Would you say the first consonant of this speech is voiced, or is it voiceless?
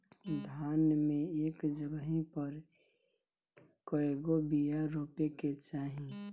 voiced